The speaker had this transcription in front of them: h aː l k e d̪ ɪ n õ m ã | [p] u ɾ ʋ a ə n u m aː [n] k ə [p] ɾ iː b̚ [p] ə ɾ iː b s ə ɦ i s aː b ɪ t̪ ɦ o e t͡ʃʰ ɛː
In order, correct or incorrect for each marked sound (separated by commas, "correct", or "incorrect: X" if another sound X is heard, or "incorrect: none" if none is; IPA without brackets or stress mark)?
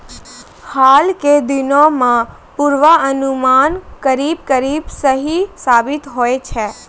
correct, correct, incorrect: none, incorrect: k